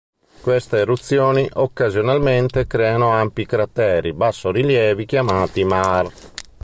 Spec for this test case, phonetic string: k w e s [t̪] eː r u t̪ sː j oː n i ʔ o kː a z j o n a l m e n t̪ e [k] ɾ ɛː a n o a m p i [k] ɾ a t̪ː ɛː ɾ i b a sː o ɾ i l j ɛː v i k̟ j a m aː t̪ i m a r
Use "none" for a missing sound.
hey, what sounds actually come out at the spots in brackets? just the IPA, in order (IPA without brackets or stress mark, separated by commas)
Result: t̪, k, k